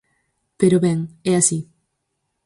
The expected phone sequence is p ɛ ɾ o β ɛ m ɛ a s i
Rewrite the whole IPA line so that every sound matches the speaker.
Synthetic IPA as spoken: p e ɾ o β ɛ ŋ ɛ a s i